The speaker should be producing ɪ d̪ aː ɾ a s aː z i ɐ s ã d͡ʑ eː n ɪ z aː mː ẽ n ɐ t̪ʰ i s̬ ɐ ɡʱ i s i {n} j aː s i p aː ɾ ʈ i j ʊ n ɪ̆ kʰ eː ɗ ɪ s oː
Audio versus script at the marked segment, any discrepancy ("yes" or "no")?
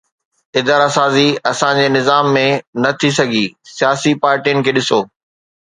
yes